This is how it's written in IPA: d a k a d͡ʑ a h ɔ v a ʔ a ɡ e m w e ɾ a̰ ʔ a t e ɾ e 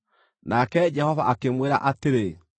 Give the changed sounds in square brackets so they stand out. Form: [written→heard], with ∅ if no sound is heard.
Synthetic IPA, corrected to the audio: [d→n] a k [a→ɛ] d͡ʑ [a→ɛ] h ɔ v a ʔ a [ɡ→k] e m w e ɾ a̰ ʔ a t e ɾ e